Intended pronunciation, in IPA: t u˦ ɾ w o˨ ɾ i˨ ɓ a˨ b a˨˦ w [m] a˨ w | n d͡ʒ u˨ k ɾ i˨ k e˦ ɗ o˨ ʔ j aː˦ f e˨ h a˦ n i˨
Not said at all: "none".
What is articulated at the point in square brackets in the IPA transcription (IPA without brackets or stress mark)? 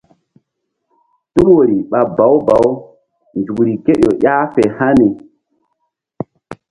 b